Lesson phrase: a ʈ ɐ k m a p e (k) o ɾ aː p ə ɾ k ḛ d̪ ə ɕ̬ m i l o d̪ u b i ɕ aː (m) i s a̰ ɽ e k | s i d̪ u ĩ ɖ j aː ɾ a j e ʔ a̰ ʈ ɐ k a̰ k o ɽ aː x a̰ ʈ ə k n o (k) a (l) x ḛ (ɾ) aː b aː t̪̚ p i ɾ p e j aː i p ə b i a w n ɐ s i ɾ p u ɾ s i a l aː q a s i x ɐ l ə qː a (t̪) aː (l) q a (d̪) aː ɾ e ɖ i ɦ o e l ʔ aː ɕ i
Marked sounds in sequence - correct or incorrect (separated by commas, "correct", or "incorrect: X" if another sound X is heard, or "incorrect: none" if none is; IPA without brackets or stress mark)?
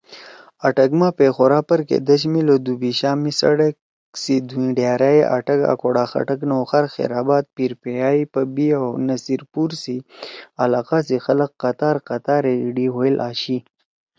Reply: incorrect: x, correct, incorrect: x, incorrect: ɾ, correct, correct, incorrect: ɾ, incorrect: t̪